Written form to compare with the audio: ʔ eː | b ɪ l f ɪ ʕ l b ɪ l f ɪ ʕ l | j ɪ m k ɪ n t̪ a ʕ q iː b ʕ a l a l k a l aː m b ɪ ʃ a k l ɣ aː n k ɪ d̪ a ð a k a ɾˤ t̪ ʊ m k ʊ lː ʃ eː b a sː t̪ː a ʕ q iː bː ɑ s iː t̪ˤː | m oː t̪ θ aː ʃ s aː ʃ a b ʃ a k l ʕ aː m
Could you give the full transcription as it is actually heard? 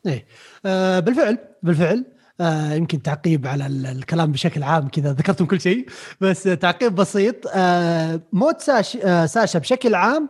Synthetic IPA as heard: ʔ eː | b ɪ l f ɪ ʕ l b ɪ l f ɪ ʕ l | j ɪ m k ɪ n t̪ a ʕ q iː b ʕ a l a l k a l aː m b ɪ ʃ a k l ʕ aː m k ɪ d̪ a ð a k ɑ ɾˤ t̪ ʊ m k ʊ lː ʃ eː b a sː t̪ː a ʕ q iː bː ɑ s iː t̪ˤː | m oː t̪ s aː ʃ s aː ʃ a b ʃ a k l ʕ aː m